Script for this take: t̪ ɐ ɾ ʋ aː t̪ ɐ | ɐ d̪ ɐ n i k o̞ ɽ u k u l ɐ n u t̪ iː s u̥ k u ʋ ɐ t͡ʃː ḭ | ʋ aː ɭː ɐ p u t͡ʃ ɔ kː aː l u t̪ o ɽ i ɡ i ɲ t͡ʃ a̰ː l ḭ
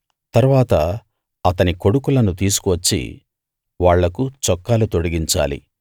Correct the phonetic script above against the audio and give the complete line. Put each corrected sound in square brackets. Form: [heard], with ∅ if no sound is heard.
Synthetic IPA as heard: t̪ ɐ ɾ ʋ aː t̪ ɐ | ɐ [t̪] ɐ n i k o̞ ɽ u k u l ɐ n u t̪ iː s u̥ k u ʋ ɐ t͡ʃː ḭ | ʋ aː ɭː ɐ [k] u t͡ʃ ɔ kː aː l u t̪ o ɽ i ɡ i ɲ t͡ʃ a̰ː l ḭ